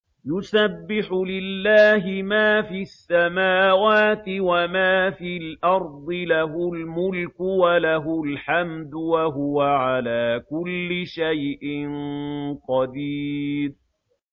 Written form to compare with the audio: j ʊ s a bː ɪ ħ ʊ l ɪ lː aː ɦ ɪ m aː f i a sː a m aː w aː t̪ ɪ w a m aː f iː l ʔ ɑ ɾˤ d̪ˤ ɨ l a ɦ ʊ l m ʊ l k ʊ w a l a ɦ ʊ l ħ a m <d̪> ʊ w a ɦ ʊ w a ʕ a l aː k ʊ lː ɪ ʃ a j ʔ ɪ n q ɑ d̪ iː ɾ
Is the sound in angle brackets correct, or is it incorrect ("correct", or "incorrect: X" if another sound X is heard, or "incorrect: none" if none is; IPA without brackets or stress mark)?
correct